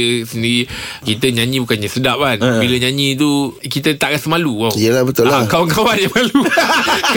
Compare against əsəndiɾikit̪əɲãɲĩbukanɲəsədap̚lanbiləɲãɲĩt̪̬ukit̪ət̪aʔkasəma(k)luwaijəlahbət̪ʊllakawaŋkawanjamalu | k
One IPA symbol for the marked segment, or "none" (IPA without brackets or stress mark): none